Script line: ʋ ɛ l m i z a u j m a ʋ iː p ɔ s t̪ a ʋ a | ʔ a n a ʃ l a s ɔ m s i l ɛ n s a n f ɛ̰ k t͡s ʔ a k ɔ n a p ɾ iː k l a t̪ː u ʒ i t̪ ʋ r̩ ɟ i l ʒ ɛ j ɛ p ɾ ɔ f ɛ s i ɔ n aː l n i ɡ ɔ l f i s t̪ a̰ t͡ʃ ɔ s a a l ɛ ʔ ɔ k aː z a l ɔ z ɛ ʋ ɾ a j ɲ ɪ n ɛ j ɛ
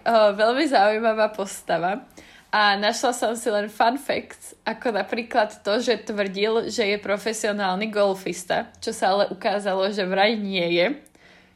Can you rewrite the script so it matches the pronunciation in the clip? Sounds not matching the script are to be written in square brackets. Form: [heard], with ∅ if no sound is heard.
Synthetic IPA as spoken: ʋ ɛ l m i z a u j m a ʋ [aː] p ɔ s t̪ a ʋ a | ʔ a n a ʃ l a s ɔ m s i l ɛ n [f] a n f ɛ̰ k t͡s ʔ a k ɔ n a p ɾ iː k l a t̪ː [ɔ] ʒ [ɛ] t̪ ʋ r̩ ɟ i l ʒ ɛ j ɛ p ɾ ɔ f ɛ s i ɔ n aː l n i ɡ ɔ l f i s t̪ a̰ t͡ʃ ɔ s a a l ɛ ʔ [u] k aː z a l ɔ [ʒ] ɛ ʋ ɾ a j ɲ ɪ [∅] ɛ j ɛ